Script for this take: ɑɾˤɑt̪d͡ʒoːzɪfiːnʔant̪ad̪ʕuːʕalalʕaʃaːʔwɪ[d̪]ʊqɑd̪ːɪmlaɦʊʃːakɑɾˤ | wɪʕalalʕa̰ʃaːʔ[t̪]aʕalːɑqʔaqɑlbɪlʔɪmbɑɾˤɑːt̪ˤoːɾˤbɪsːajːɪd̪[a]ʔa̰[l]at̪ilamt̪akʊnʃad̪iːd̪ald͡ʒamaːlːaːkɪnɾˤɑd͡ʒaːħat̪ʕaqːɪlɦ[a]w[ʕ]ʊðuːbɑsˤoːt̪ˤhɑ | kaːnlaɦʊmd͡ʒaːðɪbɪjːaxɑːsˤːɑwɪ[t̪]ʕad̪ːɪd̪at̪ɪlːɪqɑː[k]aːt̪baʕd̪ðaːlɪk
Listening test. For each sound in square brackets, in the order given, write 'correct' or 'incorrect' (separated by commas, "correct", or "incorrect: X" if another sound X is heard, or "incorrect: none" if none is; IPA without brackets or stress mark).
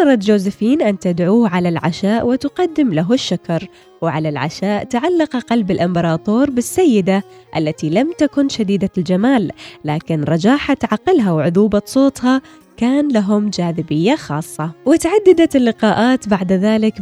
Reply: incorrect: t̪, correct, correct, incorrect: lː, correct, correct, correct, incorrect: ʔ